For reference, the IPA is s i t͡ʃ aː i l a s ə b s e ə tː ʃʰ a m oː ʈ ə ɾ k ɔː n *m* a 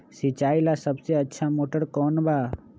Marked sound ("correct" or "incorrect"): incorrect